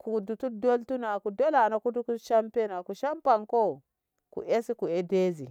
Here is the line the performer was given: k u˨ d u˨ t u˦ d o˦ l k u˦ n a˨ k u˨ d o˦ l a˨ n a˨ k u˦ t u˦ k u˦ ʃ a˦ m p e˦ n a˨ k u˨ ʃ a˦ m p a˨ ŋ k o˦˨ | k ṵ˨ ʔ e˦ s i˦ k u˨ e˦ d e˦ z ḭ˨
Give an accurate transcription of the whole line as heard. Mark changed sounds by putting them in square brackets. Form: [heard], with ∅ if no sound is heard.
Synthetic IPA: k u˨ d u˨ t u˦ d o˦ l [t] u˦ n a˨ k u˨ d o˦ l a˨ n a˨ k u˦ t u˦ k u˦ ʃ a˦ m p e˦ n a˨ k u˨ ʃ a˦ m p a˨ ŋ k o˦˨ | k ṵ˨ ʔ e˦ s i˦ k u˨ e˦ d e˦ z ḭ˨